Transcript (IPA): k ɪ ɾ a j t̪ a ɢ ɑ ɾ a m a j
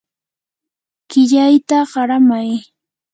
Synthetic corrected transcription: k ɪ ʎ a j t̪ a ɢ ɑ ɾ a m a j